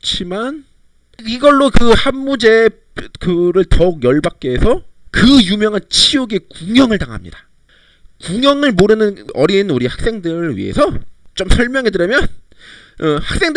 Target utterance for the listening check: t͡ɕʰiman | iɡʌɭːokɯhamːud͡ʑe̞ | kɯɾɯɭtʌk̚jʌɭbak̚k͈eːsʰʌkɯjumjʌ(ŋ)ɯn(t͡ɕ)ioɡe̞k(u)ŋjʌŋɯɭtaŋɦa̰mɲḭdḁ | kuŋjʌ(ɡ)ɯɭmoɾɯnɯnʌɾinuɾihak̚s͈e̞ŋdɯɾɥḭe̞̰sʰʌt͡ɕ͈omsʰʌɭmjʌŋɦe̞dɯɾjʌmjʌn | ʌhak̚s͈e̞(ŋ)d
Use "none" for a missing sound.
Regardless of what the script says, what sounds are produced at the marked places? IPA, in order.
ŋ, t͡ɕʰ, u, ŋ, ŋ

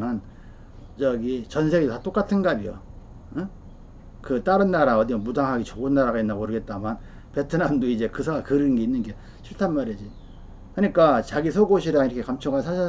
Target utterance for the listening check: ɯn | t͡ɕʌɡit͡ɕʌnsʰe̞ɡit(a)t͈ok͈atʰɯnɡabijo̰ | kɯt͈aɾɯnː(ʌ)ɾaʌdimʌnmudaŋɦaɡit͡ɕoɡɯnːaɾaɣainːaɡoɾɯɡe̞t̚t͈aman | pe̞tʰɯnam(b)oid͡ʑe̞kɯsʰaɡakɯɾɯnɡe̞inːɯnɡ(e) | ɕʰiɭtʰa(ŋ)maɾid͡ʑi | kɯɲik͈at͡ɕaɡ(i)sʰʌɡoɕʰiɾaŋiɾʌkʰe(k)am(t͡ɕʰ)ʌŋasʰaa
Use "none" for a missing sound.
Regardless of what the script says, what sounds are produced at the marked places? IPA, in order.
a, a, d, e, n, i, k, t͡ɕʰ

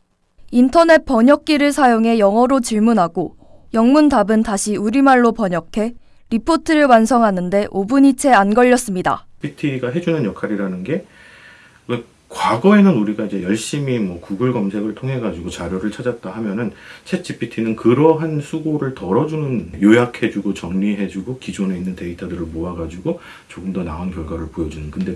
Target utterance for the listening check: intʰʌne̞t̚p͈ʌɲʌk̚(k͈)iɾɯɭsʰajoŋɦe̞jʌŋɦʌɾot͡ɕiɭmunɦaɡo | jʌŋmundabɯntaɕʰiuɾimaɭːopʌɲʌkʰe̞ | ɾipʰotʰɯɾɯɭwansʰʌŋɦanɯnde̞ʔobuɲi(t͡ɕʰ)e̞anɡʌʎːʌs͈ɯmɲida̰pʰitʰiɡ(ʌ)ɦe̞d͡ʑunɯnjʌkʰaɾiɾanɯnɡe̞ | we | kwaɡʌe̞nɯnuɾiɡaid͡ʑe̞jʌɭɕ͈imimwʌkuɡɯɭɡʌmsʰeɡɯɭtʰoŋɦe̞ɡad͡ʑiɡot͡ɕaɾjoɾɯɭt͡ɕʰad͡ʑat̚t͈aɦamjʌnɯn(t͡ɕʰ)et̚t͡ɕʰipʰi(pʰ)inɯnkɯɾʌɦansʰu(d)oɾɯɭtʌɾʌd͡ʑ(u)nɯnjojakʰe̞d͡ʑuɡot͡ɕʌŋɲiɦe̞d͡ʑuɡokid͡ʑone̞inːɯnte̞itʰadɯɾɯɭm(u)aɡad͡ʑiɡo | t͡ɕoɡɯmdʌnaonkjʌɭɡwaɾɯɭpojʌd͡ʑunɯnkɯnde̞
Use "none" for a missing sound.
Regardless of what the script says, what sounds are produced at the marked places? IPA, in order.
k͈, t͡ɕʰ, a, t͡ɕʰ, tʰ, ɡ, u, o

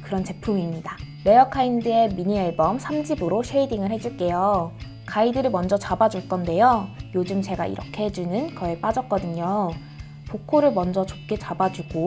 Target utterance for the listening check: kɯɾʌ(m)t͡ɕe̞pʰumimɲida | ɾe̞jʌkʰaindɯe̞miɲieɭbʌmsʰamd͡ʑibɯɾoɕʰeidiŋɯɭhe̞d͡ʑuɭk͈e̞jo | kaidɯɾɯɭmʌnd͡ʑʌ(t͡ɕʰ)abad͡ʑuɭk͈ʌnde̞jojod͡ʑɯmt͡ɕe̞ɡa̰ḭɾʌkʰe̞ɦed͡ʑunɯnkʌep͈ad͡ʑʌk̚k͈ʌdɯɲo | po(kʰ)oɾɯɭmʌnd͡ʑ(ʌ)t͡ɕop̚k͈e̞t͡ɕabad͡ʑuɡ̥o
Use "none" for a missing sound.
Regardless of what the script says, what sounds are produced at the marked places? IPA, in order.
n, t͡ɕ, kʰ, ʌ

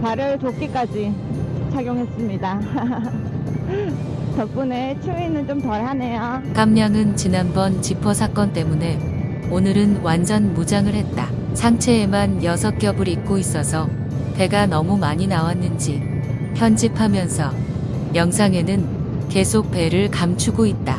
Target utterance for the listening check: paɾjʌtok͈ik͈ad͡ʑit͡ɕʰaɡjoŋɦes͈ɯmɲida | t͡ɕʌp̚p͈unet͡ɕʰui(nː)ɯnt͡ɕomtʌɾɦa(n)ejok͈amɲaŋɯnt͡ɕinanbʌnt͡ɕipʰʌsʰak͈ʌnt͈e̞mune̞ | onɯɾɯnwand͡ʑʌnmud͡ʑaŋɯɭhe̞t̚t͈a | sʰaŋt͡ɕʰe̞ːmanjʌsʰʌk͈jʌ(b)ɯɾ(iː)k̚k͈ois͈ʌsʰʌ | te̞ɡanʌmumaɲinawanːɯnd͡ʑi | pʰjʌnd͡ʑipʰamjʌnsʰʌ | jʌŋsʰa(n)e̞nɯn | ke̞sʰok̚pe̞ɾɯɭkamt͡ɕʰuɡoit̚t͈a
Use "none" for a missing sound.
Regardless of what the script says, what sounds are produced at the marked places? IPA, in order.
n, n, b, i, ŋ

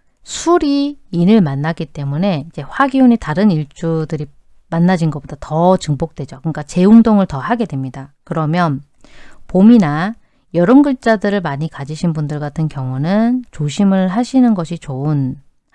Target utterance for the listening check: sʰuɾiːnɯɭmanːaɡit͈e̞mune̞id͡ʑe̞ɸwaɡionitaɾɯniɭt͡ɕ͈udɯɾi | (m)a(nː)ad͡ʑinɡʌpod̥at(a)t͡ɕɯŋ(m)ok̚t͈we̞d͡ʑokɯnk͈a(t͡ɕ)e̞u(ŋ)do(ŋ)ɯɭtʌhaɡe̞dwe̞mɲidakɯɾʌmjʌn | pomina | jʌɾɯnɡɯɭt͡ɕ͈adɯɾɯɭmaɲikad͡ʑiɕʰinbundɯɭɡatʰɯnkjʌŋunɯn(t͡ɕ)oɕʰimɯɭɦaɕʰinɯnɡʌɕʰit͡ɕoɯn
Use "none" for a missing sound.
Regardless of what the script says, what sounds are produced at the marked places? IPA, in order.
m, nː, ʌ, b, t͡ɕ, ŋ, ŋ, t͡ɕ

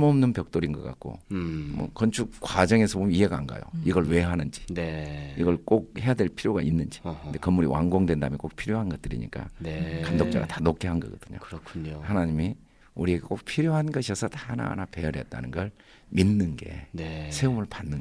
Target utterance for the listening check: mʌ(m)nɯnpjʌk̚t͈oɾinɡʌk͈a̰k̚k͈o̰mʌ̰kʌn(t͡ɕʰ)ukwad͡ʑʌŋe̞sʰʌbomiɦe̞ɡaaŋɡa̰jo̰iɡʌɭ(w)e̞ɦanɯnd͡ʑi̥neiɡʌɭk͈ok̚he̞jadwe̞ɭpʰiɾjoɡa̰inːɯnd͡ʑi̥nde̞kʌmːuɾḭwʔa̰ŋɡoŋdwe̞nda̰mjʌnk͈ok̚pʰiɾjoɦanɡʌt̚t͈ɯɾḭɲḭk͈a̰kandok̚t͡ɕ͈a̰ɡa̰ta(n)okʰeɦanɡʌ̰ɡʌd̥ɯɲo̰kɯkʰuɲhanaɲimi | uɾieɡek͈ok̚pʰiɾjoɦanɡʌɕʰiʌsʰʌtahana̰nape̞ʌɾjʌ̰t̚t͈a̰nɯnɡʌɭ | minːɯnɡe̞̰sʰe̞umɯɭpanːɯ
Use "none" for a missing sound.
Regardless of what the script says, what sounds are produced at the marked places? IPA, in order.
m, t͡ɕʰ, w, n

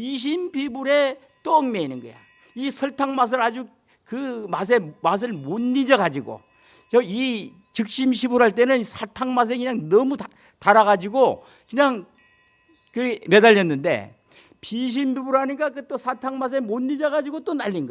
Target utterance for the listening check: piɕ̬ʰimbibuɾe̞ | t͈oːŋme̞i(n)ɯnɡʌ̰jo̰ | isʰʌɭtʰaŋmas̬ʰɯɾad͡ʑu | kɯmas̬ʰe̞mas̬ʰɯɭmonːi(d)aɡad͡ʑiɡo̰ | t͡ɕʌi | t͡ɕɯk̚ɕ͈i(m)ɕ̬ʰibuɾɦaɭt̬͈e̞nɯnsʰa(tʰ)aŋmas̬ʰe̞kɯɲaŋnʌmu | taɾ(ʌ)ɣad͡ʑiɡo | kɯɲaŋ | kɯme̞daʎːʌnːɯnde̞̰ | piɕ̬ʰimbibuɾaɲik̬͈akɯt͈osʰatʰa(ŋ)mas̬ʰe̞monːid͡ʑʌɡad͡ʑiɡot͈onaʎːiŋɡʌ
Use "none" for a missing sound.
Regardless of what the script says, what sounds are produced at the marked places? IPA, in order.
n, d͡ʑ, m, tʰ, a, ŋ

